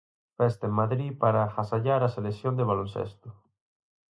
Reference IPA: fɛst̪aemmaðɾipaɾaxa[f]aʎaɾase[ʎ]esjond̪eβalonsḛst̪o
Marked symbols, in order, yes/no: no, no

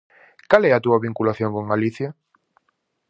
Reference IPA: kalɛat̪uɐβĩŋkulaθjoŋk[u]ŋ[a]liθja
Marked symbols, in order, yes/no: no, yes

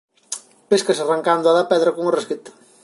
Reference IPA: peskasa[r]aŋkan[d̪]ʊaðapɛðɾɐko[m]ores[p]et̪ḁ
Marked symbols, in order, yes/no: yes, yes, no, no

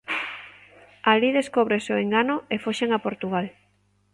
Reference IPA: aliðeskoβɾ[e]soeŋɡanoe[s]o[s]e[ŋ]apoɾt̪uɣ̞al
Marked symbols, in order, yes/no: yes, no, no, yes

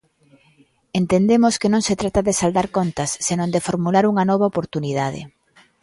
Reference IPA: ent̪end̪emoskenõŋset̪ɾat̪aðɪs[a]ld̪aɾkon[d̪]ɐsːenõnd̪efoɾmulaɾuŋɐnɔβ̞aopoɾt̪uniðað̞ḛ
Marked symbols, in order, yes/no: yes, no

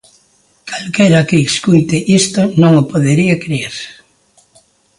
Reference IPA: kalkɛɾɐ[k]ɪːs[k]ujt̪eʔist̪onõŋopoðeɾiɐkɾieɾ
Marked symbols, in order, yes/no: yes, yes

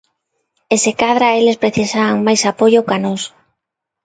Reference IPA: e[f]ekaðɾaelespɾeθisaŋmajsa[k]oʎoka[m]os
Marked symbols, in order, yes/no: no, no, no

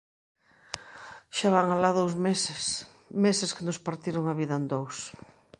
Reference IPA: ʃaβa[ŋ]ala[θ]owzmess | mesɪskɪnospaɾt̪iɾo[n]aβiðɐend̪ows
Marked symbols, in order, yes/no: yes, no, no

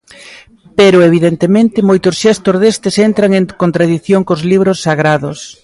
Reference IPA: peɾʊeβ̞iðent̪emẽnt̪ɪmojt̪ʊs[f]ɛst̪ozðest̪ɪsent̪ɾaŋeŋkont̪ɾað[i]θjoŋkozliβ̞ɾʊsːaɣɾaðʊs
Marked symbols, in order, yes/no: no, yes

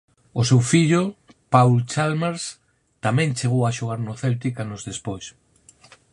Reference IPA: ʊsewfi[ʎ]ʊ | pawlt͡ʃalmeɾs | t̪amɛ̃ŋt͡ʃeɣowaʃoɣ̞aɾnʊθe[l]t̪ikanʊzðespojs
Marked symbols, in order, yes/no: yes, yes

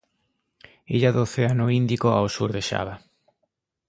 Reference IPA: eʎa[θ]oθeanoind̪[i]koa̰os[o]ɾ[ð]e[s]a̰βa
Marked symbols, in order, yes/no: no, yes, no, yes, no

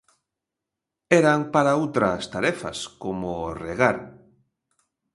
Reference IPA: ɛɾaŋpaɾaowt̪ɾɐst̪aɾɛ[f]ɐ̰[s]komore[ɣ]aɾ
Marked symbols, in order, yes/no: yes, yes, yes

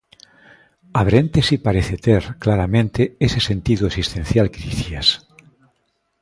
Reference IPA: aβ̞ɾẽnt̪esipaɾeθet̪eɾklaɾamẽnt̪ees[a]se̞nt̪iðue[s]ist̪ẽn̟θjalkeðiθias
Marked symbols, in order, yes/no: no, yes

